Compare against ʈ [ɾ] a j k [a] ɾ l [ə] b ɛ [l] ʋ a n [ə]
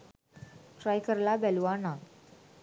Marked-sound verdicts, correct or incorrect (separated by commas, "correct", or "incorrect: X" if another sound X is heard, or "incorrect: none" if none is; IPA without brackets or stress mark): correct, incorrect: ə, incorrect: a, correct, incorrect: a